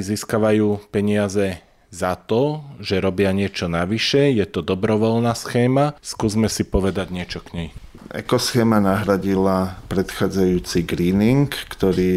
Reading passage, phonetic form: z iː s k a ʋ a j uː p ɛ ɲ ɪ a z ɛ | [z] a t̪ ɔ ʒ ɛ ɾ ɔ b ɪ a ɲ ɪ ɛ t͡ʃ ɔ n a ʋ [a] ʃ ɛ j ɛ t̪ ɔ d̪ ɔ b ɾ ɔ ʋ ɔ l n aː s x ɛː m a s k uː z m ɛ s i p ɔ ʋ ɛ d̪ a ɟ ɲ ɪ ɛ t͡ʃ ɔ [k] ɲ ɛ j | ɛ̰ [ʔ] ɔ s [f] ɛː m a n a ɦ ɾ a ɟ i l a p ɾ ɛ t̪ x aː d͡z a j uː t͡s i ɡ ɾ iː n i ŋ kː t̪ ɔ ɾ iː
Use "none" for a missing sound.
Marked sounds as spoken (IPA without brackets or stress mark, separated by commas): z, i, k, k, x